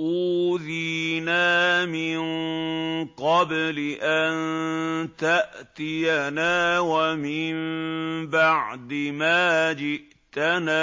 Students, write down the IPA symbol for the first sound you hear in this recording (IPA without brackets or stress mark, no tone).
ʔ